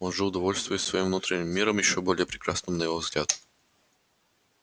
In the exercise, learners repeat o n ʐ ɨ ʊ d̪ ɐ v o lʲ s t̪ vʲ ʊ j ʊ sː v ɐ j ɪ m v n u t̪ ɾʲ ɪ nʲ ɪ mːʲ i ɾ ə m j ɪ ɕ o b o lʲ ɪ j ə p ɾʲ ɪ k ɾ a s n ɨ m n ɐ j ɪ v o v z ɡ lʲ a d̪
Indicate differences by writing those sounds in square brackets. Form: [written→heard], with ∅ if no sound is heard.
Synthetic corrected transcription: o n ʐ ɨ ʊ d̪ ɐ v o lʲ s t̪ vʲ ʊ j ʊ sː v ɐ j [ɪ→i] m v n u t̪ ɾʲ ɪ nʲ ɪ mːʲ i ɾ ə m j ɪ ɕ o b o lʲ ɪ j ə p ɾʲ ɪ k ɾ a s n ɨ m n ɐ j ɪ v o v z ɡ lʲ a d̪

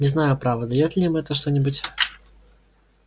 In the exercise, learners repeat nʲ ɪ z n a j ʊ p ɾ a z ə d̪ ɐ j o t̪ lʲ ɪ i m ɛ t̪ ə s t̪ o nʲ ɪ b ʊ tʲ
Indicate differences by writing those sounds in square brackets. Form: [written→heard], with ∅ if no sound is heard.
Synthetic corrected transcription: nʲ ɪ z n a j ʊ p ɾ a [z→v] ə d̪ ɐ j o t̪ lʲ ɪ i m ɛ t̪ ə [s→ʂ] t̪ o nʲ ɪ b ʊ tʲ

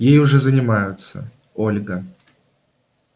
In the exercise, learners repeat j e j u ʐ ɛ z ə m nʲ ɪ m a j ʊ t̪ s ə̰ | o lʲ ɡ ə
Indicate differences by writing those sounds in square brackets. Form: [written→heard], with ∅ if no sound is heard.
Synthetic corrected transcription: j e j [u→ʊ] ʐ ɛ z ə [m→∅] nʲ ɪ m a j ʊ t̪ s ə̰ | o lʲ ɡ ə

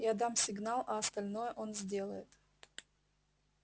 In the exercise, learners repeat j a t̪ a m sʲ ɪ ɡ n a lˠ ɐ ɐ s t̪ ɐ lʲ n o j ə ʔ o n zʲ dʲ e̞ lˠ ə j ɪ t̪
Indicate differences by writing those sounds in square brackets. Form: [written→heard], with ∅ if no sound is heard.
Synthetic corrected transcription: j a [t̪→d̪] a m sʲ ɪ ɡ n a lˠ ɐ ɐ s t̪ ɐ lʲ n o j ə ʔ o n zʲ dʲ e̞ lˠ ə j ɪ t̪

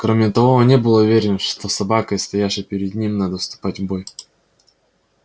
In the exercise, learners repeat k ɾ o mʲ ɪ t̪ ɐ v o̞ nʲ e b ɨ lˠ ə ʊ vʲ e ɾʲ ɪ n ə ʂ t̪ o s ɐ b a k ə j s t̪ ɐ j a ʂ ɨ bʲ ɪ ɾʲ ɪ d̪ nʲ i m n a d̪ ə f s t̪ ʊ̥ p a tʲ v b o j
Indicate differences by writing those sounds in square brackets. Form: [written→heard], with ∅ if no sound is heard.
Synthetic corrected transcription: k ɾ o mʲ ɪ t̪ ɐ v o̞ nʲ e b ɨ lˠ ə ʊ vʲ e ɾʲ ɪ n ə ʂ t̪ o s ɐ b a k ə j s t̪ ɐ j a ʂ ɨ [bʲ→pʲ] ɪ ɾʲ ɪ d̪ nʲ i m n a d̪ ə f s t̪ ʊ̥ p a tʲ v b o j

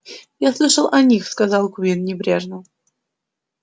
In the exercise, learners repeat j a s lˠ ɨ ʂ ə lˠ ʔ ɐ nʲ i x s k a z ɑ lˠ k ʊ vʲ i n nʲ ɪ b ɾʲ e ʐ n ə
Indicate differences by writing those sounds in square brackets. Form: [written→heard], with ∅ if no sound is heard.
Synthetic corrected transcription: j a s lˠ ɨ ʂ ə lˠ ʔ ɐ nʲ i x s k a z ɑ lˠ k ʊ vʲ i n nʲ ɪ b ɾʲ e ʐ n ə

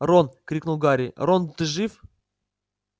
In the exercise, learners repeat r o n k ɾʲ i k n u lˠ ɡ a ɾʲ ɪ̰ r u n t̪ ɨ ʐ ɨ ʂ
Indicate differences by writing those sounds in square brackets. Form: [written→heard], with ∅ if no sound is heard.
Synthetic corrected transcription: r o n k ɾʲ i k n u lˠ ɡ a ɾʲ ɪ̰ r [u→o] n t̪ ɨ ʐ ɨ [ʂ→f]

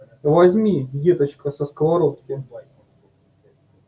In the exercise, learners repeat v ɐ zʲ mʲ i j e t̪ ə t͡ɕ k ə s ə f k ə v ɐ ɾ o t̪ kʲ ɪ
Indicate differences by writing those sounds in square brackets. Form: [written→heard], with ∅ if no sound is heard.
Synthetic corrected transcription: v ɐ zʲ mʲ i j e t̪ ə t͡ɕ k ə s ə [f→s] k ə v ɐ ɾ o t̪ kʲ ɪ

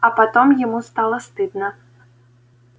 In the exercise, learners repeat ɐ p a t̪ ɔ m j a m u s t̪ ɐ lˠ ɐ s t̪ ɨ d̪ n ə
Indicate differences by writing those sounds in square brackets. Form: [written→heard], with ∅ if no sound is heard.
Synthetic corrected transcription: ɐ p a t̪ ɔ m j a m u s t̪ [ɐ→a] lˠ ɐ s t̪ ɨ d̪ n [ə→ɐ]

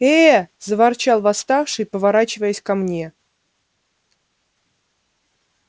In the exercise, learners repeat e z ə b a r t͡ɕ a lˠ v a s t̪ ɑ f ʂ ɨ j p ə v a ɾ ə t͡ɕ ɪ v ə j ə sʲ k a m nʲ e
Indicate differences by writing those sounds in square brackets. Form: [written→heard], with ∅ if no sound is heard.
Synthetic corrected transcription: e z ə [b→v] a r t͡ɕ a lˠ v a s t̪ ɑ f ʂ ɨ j p ə v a ɾ [ə→a] t͡ɕ ɪ v ə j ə sʲ k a m nʲ e

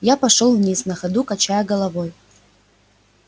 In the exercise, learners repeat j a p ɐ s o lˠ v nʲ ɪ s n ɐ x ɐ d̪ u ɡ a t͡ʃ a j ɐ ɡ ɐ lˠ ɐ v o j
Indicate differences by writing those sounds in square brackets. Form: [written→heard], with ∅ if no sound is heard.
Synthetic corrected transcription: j a p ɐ [s→ʂ] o lˠ v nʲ [ɪ→i] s n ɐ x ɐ d̪ u [ɡ→k] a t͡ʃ a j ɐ ɡ ɐ lˠ ɐ v o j

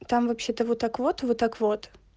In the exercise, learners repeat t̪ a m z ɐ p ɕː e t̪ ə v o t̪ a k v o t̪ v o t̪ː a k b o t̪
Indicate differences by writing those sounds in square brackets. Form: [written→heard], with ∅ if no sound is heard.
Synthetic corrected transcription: t̪ a m [z→v] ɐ p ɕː e t̪ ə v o t̪ a k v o t̪ v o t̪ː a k [b→v] o t̪

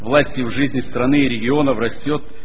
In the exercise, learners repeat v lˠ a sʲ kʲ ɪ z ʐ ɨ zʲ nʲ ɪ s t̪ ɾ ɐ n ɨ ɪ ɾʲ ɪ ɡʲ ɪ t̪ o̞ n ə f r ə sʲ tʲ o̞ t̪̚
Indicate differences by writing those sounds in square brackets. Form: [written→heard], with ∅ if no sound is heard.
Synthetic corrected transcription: v lˠ a sʲ [kʲ→tʲ] ɪ [z→v] ʐ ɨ zʲ nʲ ɪ s t̪ ɾ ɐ n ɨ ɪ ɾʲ ɪ ɡʲ ɪ [t̪→∅] o̞ n ə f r [ə→ɐ] sʲ tʲ o̞ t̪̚

